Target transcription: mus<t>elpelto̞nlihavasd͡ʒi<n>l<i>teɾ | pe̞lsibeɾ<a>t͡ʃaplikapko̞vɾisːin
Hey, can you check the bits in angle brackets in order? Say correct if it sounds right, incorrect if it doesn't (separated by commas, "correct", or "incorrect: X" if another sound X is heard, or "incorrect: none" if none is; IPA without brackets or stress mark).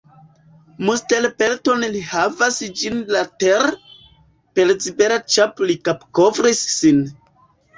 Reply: correct, correct, incorrect: a, correct